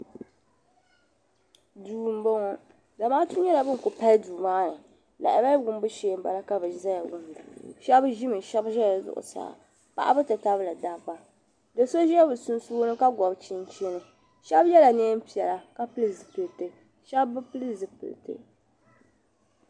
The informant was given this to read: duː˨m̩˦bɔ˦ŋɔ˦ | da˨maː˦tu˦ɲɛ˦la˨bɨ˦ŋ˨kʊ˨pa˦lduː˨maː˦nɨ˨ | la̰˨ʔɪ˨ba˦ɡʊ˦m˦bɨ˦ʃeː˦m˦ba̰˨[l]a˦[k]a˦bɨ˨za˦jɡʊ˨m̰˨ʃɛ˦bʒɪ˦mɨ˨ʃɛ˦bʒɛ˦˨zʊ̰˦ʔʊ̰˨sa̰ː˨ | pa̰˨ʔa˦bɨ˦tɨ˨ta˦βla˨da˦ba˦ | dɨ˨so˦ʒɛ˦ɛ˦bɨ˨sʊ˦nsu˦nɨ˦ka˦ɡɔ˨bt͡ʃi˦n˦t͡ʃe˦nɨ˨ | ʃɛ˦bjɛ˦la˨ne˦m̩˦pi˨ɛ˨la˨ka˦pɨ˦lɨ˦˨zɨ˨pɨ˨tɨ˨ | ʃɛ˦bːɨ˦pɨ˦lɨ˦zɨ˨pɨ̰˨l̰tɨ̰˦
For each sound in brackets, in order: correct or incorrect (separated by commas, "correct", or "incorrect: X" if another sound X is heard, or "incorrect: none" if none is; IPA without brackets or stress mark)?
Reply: correct, correct